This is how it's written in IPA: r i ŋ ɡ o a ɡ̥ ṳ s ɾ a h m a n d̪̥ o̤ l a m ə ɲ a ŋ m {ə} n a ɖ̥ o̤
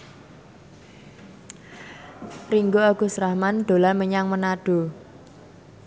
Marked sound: correct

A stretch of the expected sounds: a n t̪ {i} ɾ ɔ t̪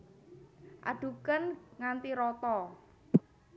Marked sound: correct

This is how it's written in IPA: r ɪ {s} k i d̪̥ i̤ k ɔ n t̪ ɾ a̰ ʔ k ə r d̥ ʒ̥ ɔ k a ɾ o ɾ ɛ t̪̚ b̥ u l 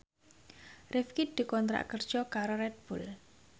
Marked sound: incorrect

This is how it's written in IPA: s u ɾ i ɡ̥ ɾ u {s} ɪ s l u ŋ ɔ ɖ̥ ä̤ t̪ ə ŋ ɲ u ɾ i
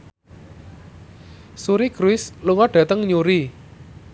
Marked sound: incorrect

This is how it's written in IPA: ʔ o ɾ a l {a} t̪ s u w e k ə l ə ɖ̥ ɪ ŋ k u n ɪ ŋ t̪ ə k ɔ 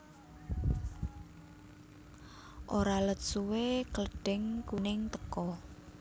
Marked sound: incorrect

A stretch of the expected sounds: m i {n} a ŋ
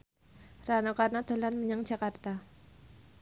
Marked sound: incorrect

